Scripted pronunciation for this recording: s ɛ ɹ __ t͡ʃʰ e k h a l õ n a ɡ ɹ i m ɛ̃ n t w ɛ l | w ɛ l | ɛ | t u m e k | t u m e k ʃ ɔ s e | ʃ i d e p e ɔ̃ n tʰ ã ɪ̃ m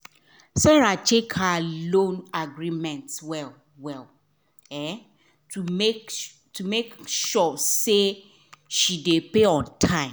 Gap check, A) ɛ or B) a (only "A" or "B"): B